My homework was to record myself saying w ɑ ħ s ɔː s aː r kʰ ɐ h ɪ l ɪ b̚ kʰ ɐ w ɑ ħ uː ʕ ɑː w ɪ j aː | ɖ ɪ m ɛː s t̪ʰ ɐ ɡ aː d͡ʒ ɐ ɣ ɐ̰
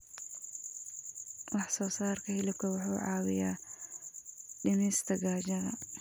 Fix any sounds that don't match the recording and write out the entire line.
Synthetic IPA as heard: w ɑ ħ s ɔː s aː r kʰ ɐ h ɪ l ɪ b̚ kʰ ɐ w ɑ ħ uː ʕ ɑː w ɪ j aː | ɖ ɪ m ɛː s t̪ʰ ɐ ɡ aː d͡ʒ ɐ ð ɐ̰